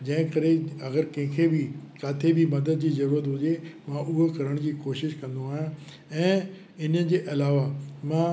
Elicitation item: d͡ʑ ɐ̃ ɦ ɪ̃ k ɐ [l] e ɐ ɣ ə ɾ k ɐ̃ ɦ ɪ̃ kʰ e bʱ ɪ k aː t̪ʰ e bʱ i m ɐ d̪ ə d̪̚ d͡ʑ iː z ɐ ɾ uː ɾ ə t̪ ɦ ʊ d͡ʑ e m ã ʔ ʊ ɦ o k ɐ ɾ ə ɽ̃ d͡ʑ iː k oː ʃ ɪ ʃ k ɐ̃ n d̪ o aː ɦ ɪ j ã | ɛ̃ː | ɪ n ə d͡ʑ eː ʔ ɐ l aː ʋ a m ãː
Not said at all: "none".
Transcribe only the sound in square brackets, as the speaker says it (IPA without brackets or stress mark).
ɾ